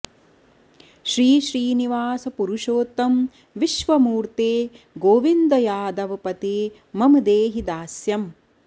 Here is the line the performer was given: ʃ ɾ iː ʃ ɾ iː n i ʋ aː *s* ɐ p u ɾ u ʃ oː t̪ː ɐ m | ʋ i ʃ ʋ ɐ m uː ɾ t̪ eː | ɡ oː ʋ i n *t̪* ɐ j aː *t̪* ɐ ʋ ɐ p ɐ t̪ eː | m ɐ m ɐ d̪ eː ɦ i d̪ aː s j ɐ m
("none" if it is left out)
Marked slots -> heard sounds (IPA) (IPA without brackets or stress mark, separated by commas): s, d̪, d̪